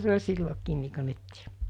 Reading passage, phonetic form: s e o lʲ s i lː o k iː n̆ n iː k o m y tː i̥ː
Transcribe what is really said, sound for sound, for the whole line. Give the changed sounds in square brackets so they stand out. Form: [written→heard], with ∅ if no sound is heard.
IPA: s e o lʲ s i lː o k iː n̆ n iː k o [m→n] y tː i̥ː